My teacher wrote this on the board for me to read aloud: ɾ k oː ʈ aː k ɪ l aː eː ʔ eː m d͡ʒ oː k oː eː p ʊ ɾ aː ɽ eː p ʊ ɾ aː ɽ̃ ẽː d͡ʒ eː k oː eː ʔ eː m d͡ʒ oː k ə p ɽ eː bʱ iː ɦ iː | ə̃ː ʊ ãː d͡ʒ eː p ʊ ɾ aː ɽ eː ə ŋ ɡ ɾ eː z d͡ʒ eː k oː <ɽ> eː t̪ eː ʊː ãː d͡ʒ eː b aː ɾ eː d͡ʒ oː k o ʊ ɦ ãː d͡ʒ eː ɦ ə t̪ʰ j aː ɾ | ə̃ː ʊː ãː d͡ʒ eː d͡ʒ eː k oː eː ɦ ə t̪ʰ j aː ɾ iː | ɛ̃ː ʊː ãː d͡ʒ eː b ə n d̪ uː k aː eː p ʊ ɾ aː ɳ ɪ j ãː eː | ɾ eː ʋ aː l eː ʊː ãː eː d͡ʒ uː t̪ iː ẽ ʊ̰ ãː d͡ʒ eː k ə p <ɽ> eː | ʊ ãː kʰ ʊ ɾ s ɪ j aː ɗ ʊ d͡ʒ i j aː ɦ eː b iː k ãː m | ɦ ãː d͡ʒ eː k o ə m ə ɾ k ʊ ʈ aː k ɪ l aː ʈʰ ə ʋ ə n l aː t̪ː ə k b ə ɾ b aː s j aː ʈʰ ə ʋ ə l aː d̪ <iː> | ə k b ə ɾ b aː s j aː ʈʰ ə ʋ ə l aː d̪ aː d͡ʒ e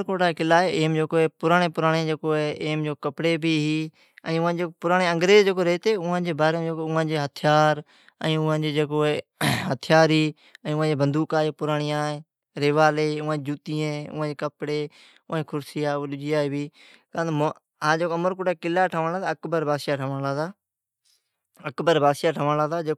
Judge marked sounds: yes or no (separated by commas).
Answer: no, yes, no